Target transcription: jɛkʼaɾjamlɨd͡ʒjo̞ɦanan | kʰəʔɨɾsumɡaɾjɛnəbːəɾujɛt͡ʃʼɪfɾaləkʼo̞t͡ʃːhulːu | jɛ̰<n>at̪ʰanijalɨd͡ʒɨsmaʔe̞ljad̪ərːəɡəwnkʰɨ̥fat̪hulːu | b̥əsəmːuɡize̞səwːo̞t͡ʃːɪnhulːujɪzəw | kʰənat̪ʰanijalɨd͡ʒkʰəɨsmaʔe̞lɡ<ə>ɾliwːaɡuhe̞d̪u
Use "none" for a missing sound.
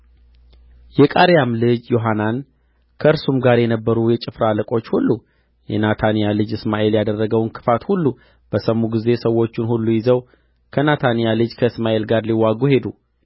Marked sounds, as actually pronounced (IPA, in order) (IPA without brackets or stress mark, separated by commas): n, a